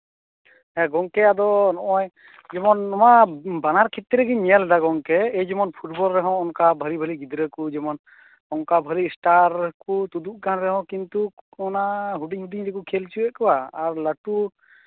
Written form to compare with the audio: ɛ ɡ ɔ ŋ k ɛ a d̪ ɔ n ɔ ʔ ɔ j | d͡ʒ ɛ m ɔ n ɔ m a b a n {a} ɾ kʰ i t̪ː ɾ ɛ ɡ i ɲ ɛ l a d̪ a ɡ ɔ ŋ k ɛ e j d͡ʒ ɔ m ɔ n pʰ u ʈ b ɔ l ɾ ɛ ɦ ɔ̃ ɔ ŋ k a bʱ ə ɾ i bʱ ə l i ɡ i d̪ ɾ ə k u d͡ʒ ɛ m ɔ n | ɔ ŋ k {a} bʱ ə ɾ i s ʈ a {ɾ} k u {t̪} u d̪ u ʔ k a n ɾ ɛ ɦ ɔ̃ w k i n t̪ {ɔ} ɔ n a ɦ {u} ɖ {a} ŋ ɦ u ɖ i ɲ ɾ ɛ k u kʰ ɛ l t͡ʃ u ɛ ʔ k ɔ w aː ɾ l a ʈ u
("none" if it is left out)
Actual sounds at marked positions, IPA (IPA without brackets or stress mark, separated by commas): a, a, ɾ, t̪, u, u, i